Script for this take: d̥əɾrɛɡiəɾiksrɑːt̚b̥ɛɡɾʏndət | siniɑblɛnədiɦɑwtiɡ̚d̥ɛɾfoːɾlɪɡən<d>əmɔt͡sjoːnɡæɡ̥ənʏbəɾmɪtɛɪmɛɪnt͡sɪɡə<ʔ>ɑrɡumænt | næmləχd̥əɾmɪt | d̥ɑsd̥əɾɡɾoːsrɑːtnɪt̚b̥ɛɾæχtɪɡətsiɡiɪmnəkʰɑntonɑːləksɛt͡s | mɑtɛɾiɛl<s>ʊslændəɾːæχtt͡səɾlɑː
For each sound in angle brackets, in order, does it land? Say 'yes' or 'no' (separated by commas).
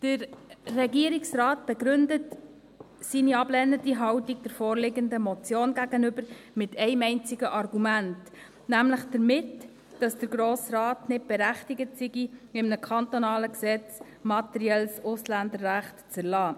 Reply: yes, yes, yes